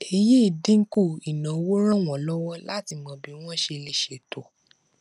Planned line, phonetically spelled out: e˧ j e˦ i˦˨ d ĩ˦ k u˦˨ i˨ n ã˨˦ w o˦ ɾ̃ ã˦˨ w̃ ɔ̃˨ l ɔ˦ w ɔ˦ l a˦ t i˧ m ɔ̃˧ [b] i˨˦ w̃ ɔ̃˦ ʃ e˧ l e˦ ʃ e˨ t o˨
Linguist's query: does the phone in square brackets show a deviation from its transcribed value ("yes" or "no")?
no